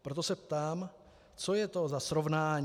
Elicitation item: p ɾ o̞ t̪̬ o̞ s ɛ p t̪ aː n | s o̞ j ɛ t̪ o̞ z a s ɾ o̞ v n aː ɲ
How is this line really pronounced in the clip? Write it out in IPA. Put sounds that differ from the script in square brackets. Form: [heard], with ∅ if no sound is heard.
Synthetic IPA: p ɾ o̞ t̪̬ o̞ s ɛ p t̪ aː [m] | [t͡s] o̞ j ɛ t̪ o̞ z a s ɾ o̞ v n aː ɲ